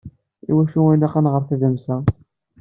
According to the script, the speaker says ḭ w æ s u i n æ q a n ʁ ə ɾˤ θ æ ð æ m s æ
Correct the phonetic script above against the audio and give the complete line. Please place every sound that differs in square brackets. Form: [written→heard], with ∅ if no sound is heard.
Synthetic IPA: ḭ w æ [s→ʃ] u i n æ q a n ʁ ə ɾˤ θ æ ð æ m s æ